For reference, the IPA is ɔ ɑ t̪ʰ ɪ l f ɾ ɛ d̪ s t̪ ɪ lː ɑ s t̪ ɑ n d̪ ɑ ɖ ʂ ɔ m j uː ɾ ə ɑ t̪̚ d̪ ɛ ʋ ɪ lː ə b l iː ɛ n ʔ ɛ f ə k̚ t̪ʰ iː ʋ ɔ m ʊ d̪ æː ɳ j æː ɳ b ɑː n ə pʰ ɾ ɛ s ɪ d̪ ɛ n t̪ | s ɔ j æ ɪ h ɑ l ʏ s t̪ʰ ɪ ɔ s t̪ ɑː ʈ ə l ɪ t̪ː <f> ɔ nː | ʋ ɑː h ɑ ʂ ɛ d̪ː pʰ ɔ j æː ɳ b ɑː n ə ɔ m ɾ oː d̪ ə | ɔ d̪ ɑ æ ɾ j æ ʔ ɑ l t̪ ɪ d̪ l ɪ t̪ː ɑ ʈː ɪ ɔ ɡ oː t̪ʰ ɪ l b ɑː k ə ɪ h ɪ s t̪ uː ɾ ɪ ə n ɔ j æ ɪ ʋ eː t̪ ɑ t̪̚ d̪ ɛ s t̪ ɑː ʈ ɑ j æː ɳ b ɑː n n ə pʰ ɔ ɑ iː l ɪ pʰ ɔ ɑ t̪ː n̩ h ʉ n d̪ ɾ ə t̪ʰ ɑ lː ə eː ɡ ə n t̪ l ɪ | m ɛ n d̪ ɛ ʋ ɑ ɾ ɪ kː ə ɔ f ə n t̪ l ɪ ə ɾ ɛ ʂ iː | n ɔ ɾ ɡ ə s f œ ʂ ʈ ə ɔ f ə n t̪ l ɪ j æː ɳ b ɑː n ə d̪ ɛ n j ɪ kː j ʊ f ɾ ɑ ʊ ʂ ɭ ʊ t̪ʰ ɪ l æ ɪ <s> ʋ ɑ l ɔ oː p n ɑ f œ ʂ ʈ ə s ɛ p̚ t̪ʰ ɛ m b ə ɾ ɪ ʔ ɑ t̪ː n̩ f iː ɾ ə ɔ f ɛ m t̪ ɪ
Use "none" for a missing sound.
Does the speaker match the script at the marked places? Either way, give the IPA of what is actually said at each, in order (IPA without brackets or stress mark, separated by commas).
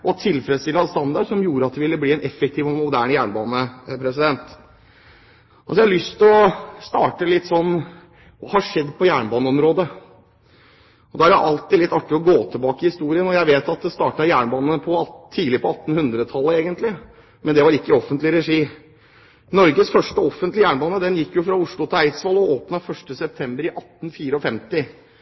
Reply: s, s